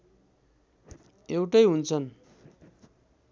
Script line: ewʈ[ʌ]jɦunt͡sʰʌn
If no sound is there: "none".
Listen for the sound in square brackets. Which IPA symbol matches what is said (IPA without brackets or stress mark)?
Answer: ʌ